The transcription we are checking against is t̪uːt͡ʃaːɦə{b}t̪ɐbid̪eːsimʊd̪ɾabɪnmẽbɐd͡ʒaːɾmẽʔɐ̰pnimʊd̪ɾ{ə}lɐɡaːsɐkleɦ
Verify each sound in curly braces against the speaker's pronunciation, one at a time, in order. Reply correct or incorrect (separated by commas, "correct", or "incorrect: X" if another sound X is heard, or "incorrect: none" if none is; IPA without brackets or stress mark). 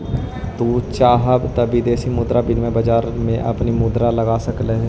correct, incorrect: a